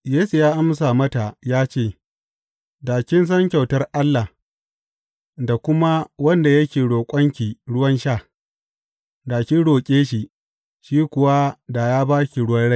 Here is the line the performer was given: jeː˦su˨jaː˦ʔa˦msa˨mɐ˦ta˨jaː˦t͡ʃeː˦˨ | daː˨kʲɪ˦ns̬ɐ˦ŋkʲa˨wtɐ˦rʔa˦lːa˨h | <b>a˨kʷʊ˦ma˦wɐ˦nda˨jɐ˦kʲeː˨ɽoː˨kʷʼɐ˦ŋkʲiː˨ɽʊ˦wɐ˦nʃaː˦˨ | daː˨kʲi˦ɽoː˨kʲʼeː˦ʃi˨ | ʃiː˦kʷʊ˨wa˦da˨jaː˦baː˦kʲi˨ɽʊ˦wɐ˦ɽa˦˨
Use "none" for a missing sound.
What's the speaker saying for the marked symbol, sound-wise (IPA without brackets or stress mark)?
d